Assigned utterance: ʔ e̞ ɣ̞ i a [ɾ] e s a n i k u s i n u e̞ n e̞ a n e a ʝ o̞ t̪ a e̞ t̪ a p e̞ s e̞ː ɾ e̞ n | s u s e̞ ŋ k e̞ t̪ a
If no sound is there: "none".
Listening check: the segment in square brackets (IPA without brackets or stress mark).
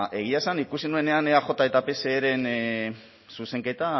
none